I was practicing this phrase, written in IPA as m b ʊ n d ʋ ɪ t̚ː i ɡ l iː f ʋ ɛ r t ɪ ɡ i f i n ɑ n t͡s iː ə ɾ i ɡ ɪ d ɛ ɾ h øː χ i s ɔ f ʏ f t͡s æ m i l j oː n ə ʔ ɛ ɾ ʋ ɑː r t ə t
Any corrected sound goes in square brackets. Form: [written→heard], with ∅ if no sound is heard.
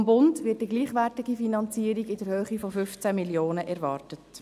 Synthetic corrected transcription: m b ʊ n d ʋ ɪ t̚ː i ɡ l iː [f→χ] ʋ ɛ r t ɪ ɡ i f i n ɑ n t͡s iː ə ɾ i ɡ ɪ d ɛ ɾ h øː χ i [s→f] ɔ f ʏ f t͡s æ m i l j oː n ə ʔ ɛ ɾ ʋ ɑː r t ə t